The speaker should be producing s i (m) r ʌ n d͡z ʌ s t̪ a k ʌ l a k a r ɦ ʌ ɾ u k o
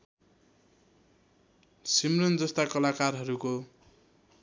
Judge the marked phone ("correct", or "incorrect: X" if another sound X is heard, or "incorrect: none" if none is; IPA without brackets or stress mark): correct